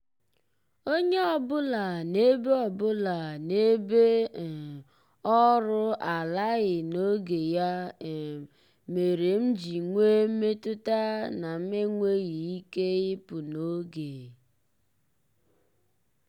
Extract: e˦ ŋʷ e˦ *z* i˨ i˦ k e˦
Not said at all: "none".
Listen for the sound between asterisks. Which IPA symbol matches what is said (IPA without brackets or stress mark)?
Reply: ɣ